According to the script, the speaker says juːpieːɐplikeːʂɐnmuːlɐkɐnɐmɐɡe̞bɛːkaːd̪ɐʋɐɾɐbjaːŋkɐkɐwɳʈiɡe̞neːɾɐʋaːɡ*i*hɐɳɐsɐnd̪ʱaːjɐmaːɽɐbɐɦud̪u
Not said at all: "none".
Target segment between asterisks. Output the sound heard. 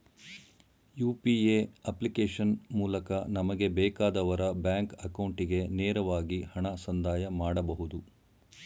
i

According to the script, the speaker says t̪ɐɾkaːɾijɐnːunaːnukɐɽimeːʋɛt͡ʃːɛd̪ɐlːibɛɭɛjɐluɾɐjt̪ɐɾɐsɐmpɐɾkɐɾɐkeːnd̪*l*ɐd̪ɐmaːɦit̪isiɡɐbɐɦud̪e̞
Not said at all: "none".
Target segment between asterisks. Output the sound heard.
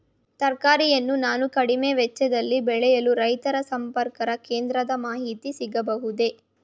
ɾ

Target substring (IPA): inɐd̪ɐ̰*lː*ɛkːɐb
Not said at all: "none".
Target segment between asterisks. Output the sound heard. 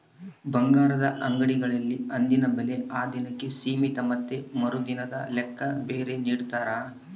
l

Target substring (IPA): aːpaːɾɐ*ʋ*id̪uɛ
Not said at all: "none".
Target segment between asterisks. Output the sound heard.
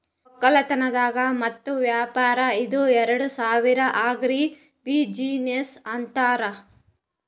none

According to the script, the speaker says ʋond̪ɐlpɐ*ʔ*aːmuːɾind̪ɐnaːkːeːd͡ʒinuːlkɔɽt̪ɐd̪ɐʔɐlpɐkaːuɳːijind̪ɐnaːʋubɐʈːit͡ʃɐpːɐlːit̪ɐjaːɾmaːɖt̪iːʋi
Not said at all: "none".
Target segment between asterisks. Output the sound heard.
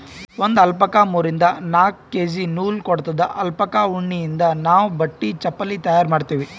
k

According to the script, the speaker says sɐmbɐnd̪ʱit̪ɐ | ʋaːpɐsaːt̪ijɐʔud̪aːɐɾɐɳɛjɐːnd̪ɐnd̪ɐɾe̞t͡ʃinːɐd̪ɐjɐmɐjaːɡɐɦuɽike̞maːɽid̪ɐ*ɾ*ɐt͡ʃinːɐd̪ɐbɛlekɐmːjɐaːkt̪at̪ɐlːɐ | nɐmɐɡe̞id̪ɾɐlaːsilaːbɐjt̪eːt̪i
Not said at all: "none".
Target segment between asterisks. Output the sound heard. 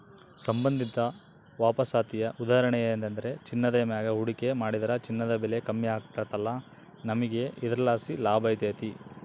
ɾ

